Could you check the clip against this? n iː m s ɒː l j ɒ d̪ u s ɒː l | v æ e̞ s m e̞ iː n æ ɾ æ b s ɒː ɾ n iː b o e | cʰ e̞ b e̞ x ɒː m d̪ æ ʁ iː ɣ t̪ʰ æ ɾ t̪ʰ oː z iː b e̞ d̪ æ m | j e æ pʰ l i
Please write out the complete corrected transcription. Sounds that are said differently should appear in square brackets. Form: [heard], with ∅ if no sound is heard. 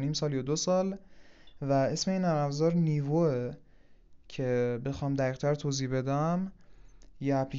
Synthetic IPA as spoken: n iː m s ɒː l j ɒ d̪ [o] s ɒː l | v æ e̞ s m e̞ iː n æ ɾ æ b [z] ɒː ɾ n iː [v] o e | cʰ e̞ b e̞ x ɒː m d̪ æ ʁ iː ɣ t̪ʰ æ ɾ t̪ʰ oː z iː b e̞ d̪ æ m | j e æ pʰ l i